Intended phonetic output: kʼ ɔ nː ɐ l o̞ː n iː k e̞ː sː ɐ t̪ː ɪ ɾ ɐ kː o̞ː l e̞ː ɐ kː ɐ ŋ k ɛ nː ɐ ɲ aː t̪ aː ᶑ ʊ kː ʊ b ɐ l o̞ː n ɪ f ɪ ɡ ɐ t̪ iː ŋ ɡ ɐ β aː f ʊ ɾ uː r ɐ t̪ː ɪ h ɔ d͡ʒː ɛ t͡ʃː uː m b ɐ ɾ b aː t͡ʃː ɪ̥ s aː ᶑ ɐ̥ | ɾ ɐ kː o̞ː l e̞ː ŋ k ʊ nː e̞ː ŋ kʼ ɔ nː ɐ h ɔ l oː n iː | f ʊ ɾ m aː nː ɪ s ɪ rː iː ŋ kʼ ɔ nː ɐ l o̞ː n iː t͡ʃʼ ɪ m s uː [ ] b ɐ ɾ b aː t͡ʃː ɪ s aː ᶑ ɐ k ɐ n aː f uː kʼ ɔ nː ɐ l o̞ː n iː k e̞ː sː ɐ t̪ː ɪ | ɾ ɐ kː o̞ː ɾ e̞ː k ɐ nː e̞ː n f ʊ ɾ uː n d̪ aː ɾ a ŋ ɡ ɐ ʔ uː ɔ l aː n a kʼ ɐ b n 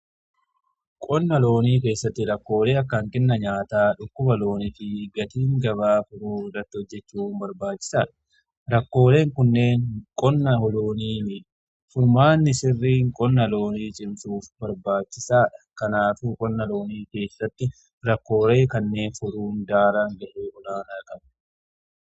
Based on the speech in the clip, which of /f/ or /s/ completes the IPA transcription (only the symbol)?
f